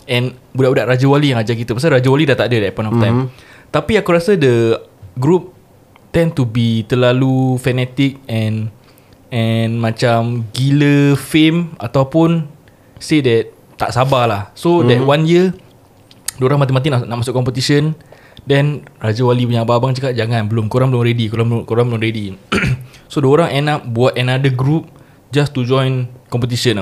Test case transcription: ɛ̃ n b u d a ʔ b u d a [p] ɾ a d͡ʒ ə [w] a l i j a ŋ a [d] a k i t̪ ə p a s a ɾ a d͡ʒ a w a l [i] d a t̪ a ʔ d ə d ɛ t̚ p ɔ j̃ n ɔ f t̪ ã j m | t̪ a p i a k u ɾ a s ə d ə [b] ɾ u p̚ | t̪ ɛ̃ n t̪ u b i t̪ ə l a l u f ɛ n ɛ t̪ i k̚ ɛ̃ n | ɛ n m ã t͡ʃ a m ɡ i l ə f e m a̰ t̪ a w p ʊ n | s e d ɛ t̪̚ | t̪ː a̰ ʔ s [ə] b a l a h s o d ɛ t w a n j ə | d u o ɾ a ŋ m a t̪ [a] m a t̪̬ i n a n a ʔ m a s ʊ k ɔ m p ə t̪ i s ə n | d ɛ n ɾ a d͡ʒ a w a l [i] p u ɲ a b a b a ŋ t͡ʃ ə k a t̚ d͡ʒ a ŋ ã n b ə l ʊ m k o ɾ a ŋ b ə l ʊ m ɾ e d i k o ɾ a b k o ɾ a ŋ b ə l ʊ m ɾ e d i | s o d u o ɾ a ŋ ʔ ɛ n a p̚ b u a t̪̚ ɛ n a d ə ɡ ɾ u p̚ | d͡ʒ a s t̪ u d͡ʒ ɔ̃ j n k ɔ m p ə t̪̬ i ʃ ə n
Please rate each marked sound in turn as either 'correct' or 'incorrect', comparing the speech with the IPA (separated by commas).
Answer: incorrect, correct, incorrect, correct, incorrect, incorrect, incorrect, correct